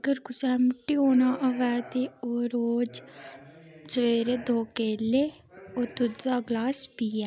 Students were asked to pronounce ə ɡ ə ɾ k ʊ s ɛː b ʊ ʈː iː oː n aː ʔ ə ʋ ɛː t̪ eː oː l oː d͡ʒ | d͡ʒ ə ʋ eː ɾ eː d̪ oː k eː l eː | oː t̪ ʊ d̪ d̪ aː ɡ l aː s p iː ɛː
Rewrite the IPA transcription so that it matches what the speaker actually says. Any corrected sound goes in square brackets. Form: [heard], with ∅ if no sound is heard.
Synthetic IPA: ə ɡ ə ɾ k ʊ s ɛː [m] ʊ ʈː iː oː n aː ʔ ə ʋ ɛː t̪ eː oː [ɾ] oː d͡ʒ | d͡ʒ ə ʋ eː ɾ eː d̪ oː k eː l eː | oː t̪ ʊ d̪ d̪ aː ɡ l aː s p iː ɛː